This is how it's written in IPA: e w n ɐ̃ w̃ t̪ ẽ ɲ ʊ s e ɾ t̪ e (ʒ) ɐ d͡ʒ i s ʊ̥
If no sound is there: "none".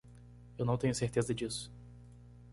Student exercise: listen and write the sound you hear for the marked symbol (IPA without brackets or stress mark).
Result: z